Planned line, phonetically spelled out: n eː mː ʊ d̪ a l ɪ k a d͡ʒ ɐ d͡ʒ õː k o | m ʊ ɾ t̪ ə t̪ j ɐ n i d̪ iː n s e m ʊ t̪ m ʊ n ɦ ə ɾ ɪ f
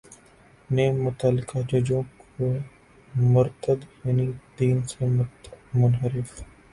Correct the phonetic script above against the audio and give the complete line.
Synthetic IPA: n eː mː ʊ t̪ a l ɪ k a d͡ʒ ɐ d͡ʒ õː k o | m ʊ ɾ t̪ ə d̪ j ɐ n i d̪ iː n s e m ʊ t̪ m ʊ n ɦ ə ɾ ɪ f